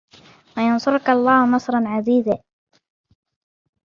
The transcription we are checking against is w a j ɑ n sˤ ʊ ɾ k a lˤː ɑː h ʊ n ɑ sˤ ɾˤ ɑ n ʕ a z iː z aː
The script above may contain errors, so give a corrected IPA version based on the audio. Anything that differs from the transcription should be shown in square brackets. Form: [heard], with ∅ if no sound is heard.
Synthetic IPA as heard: w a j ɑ n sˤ ʊ ɾ k a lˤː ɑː h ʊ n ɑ sˤ ɾˤ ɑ n ʕ a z iː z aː